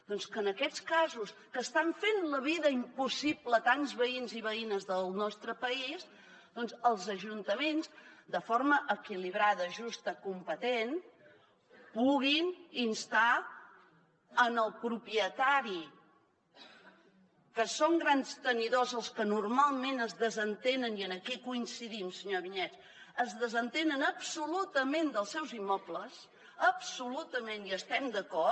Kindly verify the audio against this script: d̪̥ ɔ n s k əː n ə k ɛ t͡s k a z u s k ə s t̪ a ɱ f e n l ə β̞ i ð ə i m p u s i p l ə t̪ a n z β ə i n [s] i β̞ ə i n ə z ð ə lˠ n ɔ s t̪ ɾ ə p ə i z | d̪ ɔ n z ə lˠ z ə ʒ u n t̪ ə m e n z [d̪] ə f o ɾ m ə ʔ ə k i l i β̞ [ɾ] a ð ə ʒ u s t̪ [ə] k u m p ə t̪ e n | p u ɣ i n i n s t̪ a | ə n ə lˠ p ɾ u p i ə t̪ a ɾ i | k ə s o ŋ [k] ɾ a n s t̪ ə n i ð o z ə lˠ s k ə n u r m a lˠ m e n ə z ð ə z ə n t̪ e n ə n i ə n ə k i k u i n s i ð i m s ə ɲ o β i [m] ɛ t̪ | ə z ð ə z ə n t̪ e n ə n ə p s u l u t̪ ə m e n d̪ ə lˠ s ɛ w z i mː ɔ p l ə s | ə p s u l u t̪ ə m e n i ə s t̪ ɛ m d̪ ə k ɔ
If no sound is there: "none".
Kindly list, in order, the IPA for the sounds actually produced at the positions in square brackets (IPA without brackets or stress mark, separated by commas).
z, d̪, ɾ, ə, ɡ, ɲ